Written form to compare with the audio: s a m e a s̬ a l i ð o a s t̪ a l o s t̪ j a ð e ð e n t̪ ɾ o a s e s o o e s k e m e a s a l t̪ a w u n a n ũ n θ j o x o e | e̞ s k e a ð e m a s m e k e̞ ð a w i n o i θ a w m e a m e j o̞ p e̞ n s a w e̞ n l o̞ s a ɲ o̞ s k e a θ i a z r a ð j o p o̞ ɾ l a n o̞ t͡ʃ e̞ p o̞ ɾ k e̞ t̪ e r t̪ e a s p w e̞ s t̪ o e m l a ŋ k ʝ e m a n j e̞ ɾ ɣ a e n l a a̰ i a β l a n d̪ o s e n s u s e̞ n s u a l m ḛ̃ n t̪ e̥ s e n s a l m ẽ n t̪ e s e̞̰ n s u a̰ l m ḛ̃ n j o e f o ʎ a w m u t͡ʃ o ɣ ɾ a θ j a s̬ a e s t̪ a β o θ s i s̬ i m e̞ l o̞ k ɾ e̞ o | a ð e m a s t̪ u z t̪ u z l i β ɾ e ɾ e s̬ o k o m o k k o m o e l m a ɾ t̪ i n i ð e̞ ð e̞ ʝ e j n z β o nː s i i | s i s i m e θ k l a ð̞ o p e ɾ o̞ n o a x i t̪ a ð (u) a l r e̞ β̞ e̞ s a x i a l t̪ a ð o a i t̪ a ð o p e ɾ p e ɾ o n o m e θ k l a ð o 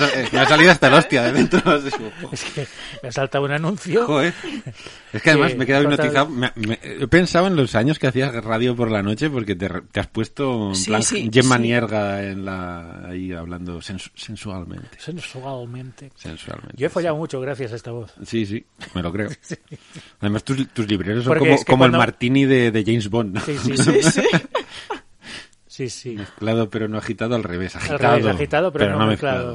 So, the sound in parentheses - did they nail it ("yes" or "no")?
no